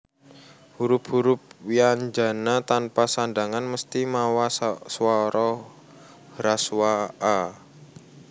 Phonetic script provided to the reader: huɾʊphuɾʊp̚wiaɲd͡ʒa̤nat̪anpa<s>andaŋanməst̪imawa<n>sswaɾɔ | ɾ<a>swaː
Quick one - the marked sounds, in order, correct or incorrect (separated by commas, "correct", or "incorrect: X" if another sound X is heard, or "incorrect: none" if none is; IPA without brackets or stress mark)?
correct, incorrect: none, correct